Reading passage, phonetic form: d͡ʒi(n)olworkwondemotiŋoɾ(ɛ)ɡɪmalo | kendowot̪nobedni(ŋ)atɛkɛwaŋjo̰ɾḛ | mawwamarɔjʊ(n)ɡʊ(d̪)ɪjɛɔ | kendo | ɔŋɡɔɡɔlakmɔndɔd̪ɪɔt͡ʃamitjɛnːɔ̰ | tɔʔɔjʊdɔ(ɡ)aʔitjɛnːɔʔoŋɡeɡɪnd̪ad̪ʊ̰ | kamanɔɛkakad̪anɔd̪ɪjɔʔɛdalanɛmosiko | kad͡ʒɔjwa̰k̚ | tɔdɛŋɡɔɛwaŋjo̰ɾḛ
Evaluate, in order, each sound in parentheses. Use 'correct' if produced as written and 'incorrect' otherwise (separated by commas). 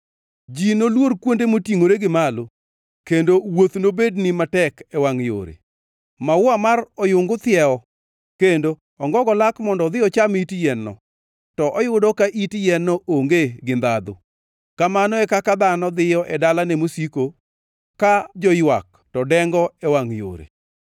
correct, incorrect, incorrect, incorrect, incorrect, incorrect